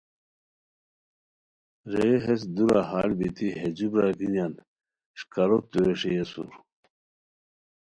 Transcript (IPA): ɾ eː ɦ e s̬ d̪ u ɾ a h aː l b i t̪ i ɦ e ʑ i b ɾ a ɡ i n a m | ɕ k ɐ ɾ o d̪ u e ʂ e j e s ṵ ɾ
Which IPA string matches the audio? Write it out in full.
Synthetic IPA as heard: ɾ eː ɦ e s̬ d̪ u ɾ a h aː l b i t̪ i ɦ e d͡ʑ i b ɾ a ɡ i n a n | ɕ k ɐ ɾ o t̪ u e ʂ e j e s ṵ ɾ